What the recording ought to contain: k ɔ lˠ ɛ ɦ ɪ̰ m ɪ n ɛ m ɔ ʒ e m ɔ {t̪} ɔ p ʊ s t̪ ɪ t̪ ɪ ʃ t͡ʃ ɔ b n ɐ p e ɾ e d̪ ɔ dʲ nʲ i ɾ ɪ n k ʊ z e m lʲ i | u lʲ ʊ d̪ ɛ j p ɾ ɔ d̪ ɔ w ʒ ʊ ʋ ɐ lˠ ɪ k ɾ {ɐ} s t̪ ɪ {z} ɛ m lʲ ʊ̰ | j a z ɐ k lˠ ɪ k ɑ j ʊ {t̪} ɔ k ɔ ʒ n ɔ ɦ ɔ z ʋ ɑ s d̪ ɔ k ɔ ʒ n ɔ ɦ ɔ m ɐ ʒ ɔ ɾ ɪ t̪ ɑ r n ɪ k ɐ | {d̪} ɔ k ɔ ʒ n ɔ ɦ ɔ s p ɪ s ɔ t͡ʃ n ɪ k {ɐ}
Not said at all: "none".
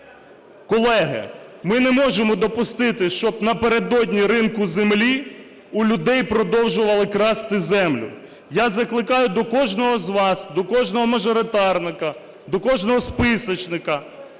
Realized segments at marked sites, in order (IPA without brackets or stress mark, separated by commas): d̪, ɑ, z, d̪, d̪, ɐ